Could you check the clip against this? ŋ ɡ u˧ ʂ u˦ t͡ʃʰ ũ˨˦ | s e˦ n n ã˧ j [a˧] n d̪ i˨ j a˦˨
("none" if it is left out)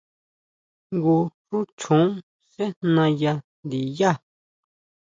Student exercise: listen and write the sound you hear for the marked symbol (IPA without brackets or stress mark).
a˧